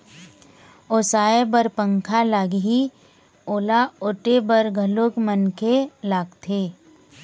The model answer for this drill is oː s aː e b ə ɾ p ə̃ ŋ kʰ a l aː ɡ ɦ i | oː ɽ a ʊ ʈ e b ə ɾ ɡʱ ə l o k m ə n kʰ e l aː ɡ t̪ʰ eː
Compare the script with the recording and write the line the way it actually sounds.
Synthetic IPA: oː s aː e b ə ɾ p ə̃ ŋ kʰ a l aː ɡ ɦ i | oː l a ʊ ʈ e b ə ɾ ɡʱ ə l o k m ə n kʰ e l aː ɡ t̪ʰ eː

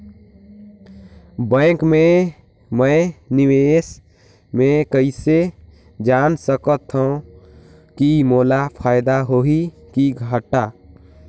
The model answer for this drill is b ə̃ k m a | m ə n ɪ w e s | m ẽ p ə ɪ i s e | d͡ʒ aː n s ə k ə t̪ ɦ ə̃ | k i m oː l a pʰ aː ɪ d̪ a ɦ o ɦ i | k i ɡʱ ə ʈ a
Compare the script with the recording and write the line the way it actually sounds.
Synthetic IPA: b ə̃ k m e | m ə n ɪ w e s | m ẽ k ə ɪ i s e | d͡ʒ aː n s ə k ə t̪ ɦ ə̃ | k i m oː l a pʰ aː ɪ d̪ a ɦ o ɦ i | k i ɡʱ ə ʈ a

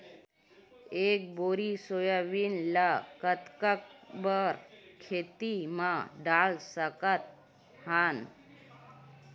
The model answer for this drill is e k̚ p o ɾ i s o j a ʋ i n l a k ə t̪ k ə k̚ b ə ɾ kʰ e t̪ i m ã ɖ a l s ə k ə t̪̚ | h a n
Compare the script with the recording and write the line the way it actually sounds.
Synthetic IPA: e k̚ b o ɾ i s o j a ʋ i n l a k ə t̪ k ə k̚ b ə ɾ kʰ e t̪ i m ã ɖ a l s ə k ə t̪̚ | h a n

